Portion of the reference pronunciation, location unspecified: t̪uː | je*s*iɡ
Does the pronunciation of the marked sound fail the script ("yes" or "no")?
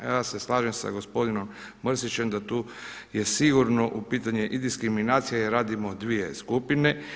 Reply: no